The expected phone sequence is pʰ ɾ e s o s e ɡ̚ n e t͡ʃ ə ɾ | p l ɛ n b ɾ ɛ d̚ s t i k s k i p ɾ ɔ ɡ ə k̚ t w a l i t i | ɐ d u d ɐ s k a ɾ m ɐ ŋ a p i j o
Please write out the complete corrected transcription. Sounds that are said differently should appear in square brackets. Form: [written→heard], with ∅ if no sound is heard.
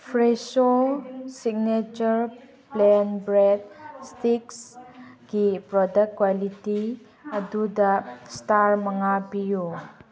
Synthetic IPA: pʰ ɾ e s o s [e→i] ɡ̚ n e t͡ʃ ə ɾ | p l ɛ n b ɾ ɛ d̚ s t i k s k i p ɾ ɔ [ɡ→d] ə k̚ [t→k] w a l i t i | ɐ d u d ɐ s [k→t] a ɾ m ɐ ŋ a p i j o